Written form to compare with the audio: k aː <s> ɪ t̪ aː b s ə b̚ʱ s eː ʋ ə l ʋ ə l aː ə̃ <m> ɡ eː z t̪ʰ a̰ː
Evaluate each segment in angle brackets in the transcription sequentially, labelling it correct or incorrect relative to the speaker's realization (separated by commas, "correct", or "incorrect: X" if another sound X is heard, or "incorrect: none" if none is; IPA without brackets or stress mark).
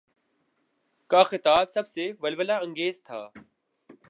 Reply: incorrect: x, incorrect: ŋ